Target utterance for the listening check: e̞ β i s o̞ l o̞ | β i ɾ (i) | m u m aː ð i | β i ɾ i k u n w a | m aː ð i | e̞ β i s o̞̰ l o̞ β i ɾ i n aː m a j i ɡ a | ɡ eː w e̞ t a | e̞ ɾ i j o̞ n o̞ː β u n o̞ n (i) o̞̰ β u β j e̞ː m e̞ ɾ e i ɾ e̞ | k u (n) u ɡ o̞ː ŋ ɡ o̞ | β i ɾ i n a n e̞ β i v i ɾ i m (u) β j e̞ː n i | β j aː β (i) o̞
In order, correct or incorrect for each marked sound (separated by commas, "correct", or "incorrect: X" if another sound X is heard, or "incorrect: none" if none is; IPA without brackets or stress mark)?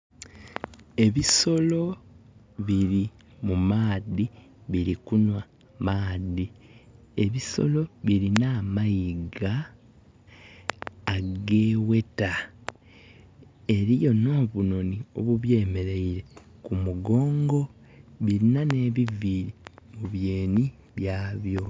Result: correct, correct, incorrect: m, correct, incorrect: j